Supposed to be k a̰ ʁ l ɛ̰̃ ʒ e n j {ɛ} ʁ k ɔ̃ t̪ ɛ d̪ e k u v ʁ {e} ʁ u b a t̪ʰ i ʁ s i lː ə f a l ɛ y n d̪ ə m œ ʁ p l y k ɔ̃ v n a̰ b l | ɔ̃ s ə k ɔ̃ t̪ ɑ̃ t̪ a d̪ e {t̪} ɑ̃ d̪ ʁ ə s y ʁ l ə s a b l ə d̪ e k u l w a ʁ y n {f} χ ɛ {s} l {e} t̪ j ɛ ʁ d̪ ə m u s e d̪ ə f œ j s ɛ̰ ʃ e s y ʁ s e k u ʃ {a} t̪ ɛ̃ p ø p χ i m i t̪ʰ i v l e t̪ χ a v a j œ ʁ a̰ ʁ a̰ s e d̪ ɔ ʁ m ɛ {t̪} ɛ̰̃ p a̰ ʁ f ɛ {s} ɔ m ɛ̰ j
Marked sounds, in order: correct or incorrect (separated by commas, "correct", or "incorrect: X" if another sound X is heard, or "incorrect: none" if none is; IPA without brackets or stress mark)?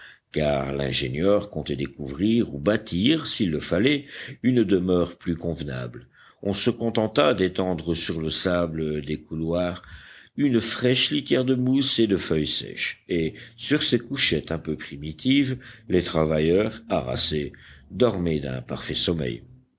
incorrect: œ, incorrect: i, correct, correct, incorrect: ʃ, incorrect: i, incorrect: ɛ, incorrect: d̪, correct